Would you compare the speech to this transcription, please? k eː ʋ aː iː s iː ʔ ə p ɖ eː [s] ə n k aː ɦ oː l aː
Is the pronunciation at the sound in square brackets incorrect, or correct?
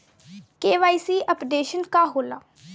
incorrect